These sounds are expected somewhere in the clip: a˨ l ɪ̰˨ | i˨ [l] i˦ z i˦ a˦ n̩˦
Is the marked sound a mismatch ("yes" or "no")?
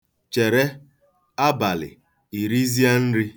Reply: yes